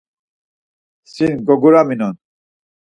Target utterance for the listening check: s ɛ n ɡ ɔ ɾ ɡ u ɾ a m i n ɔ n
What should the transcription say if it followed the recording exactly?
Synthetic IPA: s i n ɡ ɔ ɡ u ɾ a m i n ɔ n

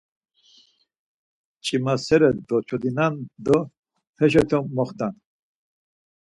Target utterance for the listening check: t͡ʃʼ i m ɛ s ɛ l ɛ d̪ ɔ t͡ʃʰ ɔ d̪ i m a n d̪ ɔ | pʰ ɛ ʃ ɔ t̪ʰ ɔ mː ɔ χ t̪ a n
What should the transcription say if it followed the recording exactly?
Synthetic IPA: t͡ʃʼ i m a s ɛ ɾ ɛ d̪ ɔ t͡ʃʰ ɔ d̪ i n a n d̪ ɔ | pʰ ɛ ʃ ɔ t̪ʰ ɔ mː ɔ χ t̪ a n

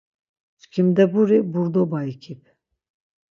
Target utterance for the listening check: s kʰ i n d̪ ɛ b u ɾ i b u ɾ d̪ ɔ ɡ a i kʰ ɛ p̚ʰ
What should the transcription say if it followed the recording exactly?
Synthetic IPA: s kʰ i m d̪ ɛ b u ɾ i b u ɾ d̪ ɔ b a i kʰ i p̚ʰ

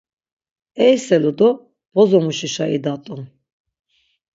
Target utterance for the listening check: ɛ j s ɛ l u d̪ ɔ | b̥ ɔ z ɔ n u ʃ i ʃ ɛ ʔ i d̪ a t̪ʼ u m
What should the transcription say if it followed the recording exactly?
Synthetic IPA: ɛ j s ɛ l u d̪ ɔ | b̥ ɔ z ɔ m u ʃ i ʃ a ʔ i d̪ a t̪ʼ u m

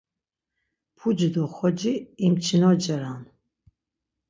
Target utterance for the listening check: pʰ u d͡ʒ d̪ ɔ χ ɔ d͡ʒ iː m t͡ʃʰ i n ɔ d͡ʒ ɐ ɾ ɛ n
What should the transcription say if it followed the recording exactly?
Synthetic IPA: pʰ u d͡ʒ d̪ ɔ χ ɔ d͡ʒ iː m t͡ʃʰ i n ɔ d͡ʒ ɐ ɾ a n

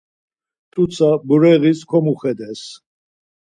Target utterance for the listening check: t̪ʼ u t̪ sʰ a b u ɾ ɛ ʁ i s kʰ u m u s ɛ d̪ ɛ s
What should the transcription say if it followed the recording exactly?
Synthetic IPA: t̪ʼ u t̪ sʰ a b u ɾ ɛ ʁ i s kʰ ɔ m u χ ɛ d̪ ɛ s

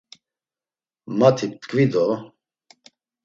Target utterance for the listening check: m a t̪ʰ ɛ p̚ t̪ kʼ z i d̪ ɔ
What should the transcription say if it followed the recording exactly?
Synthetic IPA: m a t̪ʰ i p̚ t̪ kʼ v i d̪ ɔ

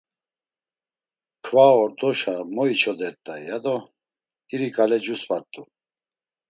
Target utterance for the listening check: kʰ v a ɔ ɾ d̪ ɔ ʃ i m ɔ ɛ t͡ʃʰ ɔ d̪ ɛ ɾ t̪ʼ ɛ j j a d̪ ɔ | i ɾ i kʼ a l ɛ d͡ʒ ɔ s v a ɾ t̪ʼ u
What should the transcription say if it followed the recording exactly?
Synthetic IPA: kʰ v a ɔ ɾ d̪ ɔ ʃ a m ɔ i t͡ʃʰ ɔ d̪ ɛ ɾ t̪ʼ a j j a d̪ ɔ | i ɾ i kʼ a l ɛ d͡ʒ u s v a ɾ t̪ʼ u

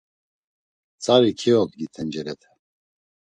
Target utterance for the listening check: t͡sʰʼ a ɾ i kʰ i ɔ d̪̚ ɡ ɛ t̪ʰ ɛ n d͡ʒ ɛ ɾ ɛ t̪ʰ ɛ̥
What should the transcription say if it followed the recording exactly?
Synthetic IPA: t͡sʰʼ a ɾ i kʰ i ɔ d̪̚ ɡ i t̪ʰ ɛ n d͡ʒ ɛ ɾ ɛ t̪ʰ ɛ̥

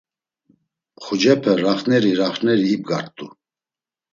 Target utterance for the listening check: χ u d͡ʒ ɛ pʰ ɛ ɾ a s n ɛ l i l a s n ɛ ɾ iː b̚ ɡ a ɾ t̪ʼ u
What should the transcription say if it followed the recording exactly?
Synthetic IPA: χ u d͡ʒ ɛ pʰ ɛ ɾ a χ n ɛ ɾ i ɾ a χ n ɛ ɾ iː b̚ ɡ a ɾ t̪ʼ u

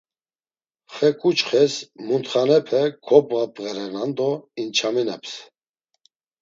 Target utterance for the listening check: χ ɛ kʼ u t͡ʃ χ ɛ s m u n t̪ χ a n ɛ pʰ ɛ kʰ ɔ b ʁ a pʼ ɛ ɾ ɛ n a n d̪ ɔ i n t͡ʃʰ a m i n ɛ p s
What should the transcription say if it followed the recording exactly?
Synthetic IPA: χ ɛ kʼ u t͡ʃ χ ɛ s m u n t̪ χ a n ɛ pʰ ɛ kʰ ɔ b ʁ a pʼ ɛ ɾ ɛ n a n d̪ ɔ i n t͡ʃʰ a m i n ɛ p s

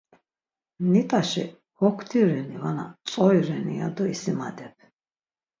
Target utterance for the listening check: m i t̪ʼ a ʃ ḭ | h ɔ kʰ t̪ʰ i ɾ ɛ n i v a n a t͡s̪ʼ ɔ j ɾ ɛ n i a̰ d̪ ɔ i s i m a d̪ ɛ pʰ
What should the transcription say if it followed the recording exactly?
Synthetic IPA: n i t̪ʼ a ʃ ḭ | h ɔ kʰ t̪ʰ i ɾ ɛ n i v a n a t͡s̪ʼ ɔ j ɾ ɛ n i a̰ d̪ ɔ i s i m a d̪ ɛ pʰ

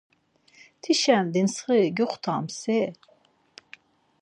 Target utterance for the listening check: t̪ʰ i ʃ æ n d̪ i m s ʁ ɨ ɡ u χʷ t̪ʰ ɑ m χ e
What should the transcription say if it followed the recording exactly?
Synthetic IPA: t̪ʰ i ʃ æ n d̪ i n s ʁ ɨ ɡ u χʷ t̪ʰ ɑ m s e

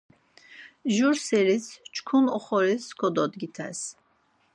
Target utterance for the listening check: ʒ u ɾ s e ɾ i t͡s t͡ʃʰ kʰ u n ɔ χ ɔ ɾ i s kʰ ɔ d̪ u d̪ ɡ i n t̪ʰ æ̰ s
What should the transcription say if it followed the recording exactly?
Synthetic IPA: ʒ u ɾ s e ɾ i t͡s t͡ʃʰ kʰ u n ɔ χ ɔ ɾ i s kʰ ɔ d̪ ɔ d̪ ɡ i t̪ʰ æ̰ s

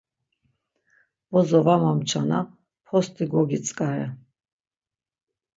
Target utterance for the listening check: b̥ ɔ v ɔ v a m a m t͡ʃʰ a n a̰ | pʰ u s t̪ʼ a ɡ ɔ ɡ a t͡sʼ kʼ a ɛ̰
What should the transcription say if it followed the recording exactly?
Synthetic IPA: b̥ ɔ z ɔ v a m a m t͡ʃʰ a n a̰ | pʰ ɔ s t̪ʼ i ɡ ɔ ɡ i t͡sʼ kʼ a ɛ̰

